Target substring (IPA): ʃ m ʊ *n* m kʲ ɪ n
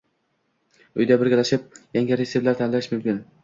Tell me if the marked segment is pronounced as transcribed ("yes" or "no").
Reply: no